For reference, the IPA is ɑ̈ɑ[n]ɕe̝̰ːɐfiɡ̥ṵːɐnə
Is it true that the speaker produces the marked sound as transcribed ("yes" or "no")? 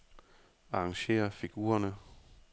no